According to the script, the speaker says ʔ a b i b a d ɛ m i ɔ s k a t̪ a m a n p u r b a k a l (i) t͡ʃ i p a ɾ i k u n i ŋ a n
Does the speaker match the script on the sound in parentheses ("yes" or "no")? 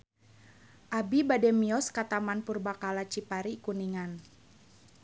no